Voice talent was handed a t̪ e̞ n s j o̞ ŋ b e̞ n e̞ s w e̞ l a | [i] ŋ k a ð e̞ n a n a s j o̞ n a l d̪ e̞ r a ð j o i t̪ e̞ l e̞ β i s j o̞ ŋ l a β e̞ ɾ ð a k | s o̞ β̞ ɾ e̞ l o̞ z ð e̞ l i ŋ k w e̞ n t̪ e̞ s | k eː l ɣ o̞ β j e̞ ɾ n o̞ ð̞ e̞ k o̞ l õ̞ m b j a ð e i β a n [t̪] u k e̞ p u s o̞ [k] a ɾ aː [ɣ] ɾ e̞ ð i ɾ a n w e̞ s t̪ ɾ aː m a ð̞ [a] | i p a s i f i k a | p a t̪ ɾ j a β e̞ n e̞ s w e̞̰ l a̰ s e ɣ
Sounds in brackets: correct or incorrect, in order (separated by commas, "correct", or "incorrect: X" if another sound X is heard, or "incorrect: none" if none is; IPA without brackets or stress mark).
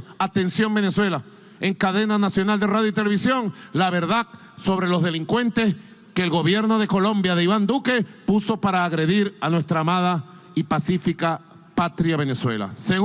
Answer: incorrect: e, incorrect: d̪, incorrect: p, correct, correct